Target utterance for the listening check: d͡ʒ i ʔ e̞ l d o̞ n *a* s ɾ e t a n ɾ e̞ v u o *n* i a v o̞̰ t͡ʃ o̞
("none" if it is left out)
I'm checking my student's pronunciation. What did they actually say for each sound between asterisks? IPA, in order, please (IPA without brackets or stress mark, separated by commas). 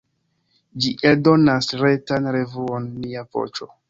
a, nː